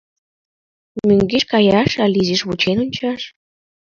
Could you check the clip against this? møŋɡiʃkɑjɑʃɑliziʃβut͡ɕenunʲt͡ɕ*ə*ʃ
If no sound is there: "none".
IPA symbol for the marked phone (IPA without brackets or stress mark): ɑ